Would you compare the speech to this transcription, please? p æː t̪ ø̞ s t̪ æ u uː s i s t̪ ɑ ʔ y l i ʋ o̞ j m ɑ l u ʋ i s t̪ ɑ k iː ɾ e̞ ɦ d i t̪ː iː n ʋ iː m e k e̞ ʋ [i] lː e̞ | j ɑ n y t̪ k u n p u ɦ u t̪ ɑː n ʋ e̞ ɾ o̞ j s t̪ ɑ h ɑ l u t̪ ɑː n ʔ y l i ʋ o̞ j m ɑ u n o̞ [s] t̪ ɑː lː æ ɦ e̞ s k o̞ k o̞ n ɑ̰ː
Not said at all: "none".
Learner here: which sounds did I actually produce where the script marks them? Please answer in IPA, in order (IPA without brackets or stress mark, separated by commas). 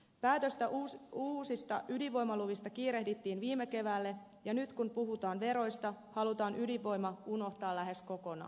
æ, h